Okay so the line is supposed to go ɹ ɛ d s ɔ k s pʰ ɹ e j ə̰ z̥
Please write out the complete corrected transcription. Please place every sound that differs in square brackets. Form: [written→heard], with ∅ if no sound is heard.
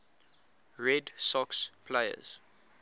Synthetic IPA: ɹ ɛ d s ɔ k s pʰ [ɹ→l] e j ə̰ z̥